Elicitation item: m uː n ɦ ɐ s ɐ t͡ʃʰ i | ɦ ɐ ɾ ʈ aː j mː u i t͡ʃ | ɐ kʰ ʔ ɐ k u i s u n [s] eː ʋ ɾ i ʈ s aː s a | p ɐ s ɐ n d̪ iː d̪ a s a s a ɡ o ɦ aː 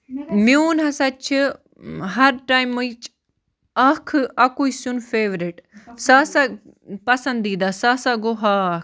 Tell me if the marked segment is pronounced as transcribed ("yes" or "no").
no